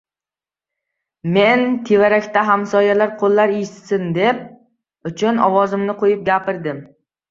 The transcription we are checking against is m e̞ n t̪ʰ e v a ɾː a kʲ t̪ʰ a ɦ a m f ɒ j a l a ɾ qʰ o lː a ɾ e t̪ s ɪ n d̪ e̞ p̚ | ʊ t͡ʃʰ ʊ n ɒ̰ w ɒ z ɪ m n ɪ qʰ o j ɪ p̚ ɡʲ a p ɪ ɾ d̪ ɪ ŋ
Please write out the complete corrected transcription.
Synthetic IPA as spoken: m e̞ n t̪ʰ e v a ɾ a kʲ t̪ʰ a ɦ a m s ɒ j a l a ɾ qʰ o lː a ɾ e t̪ s ɪ n d̪ e̞ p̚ | ʊ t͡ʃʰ ʊ n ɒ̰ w ɒ z ɪ m n ɪ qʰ o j ɪ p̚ ɡʲ a p ɪ ɾ d̪ ɪ m